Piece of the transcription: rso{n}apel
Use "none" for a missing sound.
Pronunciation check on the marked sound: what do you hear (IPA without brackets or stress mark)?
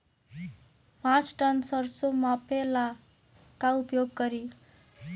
m